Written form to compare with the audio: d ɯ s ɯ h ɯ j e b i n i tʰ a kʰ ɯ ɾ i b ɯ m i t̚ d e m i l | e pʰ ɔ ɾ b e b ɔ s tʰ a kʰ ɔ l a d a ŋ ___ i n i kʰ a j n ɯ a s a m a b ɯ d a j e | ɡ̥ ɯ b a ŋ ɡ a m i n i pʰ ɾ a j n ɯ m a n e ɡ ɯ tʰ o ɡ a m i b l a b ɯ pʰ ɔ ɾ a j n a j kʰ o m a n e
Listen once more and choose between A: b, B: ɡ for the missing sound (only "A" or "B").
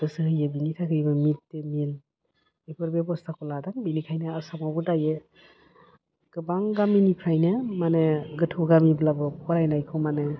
A